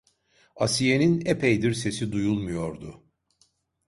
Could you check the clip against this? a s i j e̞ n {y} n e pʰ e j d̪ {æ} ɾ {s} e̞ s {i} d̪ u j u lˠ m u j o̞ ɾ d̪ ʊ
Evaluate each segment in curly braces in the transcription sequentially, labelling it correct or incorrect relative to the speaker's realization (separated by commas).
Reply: incorrect, incorrect, correct, correct